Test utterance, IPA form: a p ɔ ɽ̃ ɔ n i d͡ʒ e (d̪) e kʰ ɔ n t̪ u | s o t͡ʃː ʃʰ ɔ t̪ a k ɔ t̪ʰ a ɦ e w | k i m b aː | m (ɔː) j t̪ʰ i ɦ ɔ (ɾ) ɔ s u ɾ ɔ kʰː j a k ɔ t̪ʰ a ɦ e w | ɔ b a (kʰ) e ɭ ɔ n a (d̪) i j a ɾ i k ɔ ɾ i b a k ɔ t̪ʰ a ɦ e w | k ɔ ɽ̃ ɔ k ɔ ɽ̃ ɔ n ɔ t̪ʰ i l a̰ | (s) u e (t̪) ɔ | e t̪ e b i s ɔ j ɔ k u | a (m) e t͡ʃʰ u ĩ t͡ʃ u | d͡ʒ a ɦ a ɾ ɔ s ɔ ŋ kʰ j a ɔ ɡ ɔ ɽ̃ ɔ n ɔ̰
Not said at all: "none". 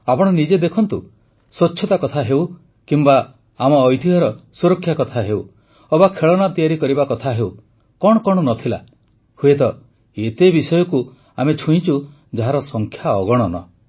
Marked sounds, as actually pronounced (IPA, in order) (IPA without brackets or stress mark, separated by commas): d̪, ɔː, ɾ, kʰ, t̪, h, t̪, m